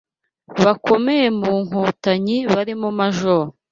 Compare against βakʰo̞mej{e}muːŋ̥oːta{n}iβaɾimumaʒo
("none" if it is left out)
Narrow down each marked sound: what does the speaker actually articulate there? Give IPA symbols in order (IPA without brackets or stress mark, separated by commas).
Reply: e, ɲ